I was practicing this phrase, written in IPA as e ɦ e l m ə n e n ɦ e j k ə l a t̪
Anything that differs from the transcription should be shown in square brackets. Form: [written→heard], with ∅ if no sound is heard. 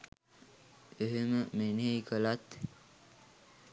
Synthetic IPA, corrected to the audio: e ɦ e [l→∅] m ə [n→m] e n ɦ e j k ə l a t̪